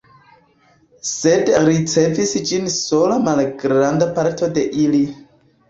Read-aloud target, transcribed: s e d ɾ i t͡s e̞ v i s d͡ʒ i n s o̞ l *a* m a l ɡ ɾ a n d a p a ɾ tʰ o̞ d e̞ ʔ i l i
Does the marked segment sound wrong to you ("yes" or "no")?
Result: no